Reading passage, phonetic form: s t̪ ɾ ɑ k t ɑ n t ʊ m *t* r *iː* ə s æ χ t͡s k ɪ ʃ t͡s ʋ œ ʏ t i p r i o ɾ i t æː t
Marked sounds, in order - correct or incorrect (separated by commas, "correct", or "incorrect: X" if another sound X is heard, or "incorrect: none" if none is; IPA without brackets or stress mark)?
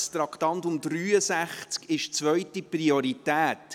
incorrect: d, incorrect: yː